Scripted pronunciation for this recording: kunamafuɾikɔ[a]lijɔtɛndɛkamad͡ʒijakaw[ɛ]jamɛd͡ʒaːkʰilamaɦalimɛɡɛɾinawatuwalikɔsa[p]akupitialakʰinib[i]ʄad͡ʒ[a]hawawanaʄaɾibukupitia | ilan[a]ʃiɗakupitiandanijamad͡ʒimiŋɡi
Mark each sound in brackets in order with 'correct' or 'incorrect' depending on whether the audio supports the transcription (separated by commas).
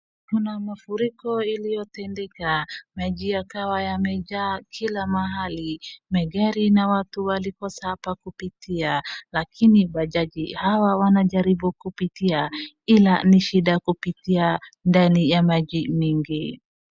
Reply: incorrect, incorrect, correct, incorrect, incorrect, incorrect